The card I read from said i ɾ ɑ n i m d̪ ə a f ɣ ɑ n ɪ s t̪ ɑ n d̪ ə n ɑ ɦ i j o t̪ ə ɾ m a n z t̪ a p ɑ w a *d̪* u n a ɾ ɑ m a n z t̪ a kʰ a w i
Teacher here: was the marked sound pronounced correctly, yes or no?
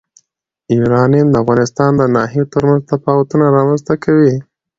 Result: no